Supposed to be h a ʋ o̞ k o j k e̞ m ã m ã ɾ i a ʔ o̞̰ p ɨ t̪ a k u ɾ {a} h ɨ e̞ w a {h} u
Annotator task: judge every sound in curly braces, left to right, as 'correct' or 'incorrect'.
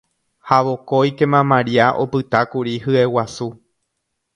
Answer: incorrect: i, incorrect: s

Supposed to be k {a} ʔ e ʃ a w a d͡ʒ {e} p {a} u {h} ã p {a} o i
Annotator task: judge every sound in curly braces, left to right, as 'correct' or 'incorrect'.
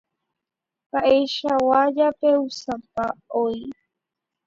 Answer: correct, incorrect: a, incorrect: e, incorrect: s, correct

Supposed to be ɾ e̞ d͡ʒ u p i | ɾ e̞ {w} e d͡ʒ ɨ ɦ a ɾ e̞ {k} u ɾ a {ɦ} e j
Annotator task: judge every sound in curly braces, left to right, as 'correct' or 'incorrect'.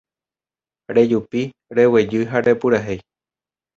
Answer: correct, incorrect: p, correct

